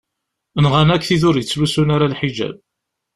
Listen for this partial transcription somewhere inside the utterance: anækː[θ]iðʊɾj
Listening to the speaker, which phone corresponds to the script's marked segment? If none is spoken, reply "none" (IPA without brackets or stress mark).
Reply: θ